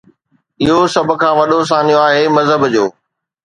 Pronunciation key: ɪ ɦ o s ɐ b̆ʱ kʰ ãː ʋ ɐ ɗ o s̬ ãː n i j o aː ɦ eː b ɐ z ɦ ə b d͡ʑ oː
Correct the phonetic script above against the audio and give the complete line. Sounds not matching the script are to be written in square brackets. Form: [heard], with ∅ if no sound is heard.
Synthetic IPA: ɪ ɦ o s ɐ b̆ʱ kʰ ãː ʋ ɐ ɗ o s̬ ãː n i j o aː ɦ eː [m] ɐ z ɦ ə b d͡ʑ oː